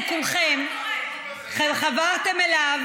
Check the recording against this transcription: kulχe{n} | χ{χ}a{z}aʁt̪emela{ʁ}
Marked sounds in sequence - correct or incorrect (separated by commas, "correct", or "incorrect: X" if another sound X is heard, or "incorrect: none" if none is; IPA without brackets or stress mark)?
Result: incorrect: m, correct, incorrect: v, incorrect: v